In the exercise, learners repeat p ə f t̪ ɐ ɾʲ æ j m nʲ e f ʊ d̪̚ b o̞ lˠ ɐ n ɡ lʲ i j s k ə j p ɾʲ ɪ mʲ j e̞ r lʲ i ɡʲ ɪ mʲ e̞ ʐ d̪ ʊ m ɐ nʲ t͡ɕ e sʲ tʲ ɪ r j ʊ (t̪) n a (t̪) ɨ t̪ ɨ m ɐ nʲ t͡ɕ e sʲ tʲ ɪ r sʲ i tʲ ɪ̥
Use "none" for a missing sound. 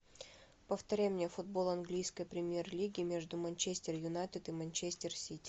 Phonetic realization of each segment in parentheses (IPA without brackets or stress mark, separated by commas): none, t̪